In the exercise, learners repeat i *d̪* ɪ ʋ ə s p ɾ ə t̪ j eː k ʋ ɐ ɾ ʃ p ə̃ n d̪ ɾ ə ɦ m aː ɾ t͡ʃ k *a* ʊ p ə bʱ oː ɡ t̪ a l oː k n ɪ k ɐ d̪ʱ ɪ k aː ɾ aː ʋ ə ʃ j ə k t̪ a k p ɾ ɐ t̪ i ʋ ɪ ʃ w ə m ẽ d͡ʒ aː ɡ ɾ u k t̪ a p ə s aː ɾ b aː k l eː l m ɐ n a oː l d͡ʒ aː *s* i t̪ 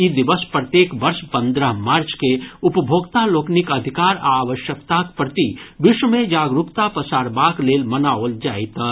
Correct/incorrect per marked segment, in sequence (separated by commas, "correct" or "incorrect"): correct, incorrect, incorrect